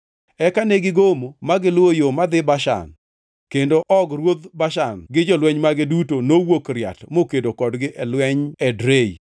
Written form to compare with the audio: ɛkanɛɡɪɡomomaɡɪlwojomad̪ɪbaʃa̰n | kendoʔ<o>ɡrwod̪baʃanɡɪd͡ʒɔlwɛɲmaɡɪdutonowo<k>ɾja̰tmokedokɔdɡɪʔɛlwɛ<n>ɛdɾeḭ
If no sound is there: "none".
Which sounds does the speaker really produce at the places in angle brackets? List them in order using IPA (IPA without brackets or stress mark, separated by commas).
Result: ɔ, k, ɲ